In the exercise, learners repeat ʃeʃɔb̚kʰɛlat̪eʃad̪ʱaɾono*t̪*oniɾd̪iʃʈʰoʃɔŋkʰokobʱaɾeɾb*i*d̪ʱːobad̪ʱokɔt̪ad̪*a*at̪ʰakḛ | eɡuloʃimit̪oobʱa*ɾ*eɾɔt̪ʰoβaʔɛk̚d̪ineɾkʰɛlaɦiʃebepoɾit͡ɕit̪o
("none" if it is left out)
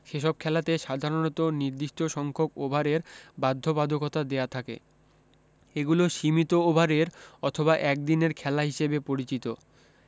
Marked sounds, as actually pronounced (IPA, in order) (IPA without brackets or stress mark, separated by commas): t̪, a, e, ɾ